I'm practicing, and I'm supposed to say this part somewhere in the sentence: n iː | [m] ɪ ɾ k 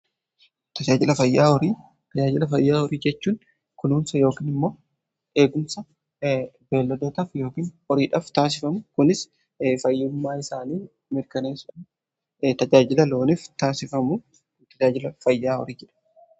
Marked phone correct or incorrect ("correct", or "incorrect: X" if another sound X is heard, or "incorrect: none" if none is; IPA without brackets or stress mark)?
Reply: correct